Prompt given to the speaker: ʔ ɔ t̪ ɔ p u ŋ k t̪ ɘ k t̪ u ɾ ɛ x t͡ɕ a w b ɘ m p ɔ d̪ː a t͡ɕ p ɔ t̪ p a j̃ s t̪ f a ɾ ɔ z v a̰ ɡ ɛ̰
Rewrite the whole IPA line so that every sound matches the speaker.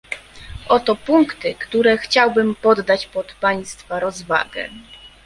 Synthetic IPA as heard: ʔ ɔ t̪ ɔ p u ŋ k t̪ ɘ k t̪ u ɾ ɛ x t͡ɕ a w b ɘ m p ɔ d̪ː a t͡ɕ p ɔ t̪ p a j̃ s t̪ f a ɾ ɔ z v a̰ ɡ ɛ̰

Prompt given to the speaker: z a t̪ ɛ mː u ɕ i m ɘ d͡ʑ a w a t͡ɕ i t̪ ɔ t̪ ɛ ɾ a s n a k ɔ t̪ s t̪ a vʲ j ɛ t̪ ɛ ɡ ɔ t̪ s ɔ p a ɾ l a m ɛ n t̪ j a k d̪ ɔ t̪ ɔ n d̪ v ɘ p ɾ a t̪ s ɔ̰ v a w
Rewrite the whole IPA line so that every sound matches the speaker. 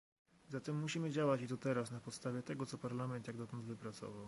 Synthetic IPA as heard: z a t̪ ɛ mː u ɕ i m ɘ d͡ʑ a w a t͡ɕ i t̪ ɔ t̪ ɛ ɾ a s n a p ɔ t̪ s t̪ a vʲ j ɛ t̪ ɛ ɡ ɔ t̪ s ɔ p a ɾ l a m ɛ n t̪ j a ɡ d̪ ɔ t̪ ɔ n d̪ v ɘ p ɾ a t̪ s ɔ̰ v a w

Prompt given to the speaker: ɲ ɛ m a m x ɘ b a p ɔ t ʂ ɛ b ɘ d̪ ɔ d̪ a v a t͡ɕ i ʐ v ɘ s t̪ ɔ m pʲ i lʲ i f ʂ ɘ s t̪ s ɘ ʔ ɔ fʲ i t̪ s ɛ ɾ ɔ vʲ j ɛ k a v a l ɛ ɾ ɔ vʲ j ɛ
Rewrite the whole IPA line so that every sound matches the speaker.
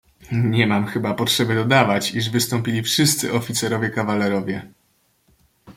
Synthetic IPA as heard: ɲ ɛ m a m x ɘ b a p ɔ t ʂ ɛ b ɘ d̪ ɔ d̪ a v a t͡ɕ i ʐ v ɘ s t̪ ɔ m pʲ i lʲ i f ʂ ɘ s t̪ s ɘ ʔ ɔ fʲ i t̪ s ɛ ɾ ɔ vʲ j ɛ k a v a l ɛ ɾ ɔ vʲ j ɛ

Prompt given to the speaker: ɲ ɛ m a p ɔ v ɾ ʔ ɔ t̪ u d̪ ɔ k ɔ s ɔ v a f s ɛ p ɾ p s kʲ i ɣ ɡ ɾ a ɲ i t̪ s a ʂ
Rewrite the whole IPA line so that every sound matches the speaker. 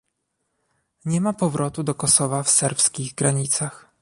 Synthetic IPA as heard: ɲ ɛ m a p ɔ v ɾ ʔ ɔ t̪ u d̪ ɔ k ɔ s ɔ v a f s ɛ ɾ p s kʲ i ɣ ɡ ɾ a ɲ i t̪ s a x

